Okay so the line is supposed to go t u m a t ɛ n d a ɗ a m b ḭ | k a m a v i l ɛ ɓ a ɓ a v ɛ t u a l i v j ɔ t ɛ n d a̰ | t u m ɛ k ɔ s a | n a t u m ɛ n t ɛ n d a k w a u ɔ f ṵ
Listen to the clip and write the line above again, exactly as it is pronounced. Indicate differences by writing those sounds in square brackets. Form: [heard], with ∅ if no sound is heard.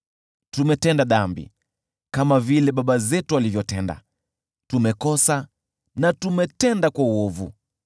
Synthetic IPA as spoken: t u m [ɛ] t ɛ n d a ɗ a m b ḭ | k a m a v i l ɛ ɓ a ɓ a [z] ɛ t u a l i v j ɔ t ɛ n d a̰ | t u m ɛ k ɔ s a | n a t u m ɛ [∅] t ɛ n d a k w a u ɔ [v] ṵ